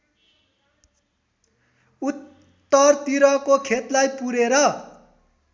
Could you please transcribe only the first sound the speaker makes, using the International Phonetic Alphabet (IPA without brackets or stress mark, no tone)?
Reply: u